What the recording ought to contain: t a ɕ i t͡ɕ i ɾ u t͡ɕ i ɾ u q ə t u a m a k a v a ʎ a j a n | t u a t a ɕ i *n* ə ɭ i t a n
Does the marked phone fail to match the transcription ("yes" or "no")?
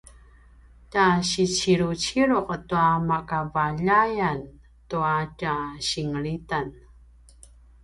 yes